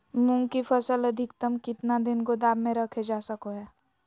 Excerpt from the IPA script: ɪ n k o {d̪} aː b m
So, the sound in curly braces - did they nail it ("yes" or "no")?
yes